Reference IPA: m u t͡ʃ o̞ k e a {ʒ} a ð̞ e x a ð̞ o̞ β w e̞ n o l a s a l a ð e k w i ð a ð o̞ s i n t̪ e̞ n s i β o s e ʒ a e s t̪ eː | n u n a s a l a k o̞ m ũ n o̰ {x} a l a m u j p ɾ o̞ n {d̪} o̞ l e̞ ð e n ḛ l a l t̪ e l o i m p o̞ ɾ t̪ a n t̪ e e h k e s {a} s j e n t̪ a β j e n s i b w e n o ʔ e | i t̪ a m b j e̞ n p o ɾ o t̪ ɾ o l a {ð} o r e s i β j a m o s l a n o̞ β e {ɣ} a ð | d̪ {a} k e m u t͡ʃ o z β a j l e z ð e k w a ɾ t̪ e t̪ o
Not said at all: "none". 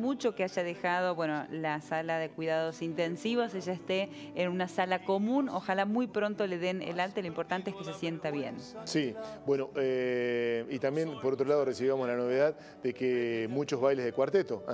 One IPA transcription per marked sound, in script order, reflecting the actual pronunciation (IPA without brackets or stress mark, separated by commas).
ʒ, x, t̪, e, ð, ð, e